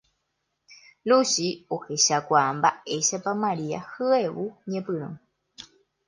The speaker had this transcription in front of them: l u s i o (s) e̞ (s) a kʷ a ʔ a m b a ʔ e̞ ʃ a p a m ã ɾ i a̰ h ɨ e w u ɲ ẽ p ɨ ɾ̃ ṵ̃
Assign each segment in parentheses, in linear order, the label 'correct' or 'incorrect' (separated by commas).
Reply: incorrect, incorrect